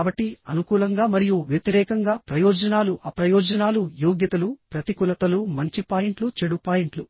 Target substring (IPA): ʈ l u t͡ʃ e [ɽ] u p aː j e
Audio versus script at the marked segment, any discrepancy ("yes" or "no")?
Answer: no